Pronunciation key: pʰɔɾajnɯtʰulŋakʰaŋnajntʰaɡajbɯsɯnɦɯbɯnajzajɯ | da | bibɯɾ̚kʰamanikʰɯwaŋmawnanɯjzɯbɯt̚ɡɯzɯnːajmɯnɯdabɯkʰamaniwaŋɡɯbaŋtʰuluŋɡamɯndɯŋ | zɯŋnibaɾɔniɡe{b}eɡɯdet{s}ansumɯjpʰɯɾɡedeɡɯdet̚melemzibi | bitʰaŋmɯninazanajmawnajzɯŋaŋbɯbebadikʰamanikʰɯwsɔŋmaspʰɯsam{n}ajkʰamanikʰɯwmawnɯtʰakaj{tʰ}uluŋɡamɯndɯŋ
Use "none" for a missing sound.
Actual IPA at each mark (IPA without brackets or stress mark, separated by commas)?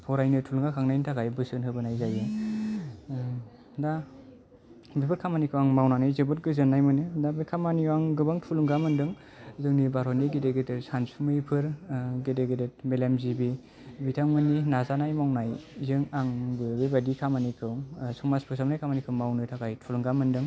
d, s, n, tʰ